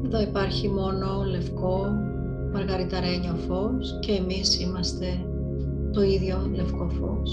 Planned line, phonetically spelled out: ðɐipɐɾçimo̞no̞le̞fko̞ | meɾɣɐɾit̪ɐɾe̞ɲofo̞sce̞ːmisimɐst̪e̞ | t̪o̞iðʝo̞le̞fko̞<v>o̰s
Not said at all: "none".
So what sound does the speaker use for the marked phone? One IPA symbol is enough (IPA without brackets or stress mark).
f